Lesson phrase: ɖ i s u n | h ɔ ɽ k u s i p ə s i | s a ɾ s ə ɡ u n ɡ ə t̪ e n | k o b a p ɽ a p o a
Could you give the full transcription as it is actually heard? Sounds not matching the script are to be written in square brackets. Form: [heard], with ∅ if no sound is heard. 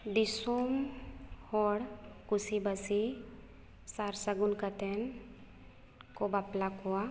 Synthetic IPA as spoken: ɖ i s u [m] | h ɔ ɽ k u s i [b] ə s i | s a ɾ s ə ɡ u n [k] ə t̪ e n | k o b a p [l] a [k] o a